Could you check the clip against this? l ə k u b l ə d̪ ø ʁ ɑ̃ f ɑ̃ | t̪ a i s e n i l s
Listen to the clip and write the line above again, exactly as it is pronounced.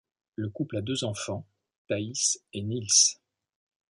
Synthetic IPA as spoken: l ə k u p l a d̪ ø z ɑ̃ f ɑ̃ | t̪ a i s e n i l s